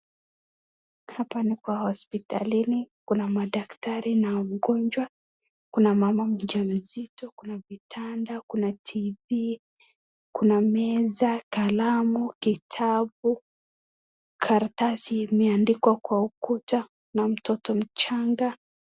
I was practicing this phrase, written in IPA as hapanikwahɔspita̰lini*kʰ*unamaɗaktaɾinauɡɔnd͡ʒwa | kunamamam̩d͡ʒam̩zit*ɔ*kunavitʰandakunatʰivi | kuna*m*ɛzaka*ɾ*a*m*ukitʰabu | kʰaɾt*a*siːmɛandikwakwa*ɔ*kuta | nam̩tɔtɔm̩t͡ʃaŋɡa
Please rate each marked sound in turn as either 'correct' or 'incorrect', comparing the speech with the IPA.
incorrect, correct, correct, incorrect, correct, correct, incorrect

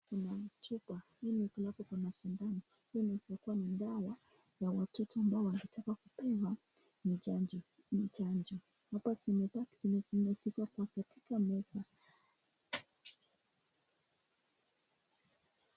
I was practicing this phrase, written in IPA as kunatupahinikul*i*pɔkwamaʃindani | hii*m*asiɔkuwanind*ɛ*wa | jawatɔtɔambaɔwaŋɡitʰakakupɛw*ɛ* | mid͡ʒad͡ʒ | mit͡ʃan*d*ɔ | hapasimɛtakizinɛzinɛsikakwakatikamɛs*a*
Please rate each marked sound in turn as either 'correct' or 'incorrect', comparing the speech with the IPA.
incorrect, incorrect, incorrect, incorrect, incorrect, correct

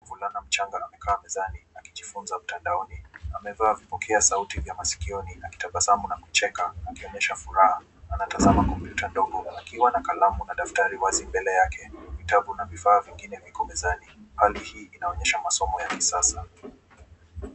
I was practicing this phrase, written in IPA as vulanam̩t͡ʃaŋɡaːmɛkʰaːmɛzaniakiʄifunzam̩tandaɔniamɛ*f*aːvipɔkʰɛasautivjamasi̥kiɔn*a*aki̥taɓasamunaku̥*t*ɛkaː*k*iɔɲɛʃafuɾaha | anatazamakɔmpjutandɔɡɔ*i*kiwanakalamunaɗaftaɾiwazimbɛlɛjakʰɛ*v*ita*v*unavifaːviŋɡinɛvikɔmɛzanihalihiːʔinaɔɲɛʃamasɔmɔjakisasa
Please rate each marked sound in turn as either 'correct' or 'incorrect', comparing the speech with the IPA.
incorrect, incorrect, incorrect, correct, incorrect, correct, correct

